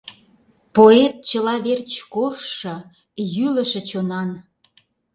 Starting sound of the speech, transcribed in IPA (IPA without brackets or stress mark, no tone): p